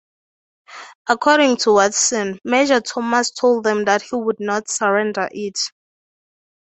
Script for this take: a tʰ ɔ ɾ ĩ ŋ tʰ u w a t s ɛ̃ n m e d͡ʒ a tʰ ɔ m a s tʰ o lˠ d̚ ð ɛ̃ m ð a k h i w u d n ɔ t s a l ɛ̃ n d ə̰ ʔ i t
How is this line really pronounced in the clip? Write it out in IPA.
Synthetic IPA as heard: a kʰ ɔ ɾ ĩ ŋ tʰ u w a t s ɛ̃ n m e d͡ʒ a tʰ ɔ m a s tʰ o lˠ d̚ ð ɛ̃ m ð a t h i w u d n ɔ t s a ɹ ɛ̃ n d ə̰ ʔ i t